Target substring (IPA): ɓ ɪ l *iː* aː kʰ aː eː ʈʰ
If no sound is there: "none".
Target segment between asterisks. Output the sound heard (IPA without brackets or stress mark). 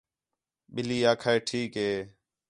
iː